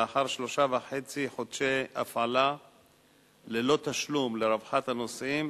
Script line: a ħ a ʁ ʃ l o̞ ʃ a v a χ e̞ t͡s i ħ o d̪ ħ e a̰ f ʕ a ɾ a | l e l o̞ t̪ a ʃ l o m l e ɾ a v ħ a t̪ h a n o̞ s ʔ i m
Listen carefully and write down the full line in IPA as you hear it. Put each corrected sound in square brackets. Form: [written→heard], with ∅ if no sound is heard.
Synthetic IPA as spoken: a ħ a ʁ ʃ l o̞ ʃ a v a [χ→ħ] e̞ t͡s i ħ o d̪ [ħ→ʃ] e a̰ f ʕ a [ɾ→l] a | l e l o̞ t̪ a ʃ l [o→u] m l e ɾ a v ħ a t̪ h a n o̞ s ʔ i m